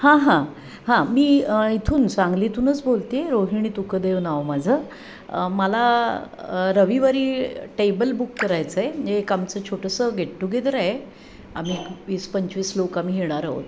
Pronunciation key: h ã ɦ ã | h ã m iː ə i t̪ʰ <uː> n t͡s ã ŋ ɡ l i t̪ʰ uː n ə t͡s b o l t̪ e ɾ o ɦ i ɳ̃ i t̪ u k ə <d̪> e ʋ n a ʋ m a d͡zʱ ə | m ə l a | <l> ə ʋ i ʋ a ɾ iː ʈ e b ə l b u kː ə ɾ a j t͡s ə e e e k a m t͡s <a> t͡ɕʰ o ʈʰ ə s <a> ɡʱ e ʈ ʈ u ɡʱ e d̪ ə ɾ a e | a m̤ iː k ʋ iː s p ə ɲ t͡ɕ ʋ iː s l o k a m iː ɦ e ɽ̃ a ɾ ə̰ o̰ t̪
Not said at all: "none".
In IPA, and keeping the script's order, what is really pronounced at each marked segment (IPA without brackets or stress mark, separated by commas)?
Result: uː, d̪, ɾ, ə, ə